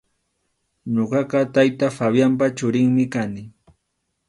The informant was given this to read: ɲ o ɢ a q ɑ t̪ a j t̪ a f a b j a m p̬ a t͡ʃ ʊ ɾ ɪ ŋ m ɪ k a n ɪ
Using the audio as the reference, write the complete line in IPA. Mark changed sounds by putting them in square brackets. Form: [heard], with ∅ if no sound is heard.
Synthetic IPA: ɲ o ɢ [ɑ] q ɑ t̪ a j t̪ a f a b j a m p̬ a t͡ʃ ʊ ɾ ɪ ŋ m ɪ k a n ɪ